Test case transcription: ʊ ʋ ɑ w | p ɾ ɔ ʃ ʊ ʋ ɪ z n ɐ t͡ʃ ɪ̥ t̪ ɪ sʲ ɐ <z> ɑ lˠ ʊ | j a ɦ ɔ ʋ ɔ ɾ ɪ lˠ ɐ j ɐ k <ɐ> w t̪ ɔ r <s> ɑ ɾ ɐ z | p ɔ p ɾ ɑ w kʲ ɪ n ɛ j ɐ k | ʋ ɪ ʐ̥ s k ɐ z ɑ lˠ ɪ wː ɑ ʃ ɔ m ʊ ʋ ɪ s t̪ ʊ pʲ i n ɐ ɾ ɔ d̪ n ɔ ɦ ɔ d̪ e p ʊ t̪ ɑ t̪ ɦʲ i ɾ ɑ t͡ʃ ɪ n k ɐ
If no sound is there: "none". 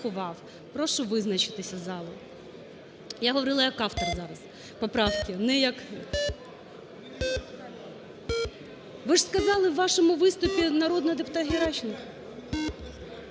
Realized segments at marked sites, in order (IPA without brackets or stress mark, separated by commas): z, ɑ, z